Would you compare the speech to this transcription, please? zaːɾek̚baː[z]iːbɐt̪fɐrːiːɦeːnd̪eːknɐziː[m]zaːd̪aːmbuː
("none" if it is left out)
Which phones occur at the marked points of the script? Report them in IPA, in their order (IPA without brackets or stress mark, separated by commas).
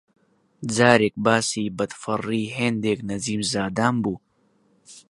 s, m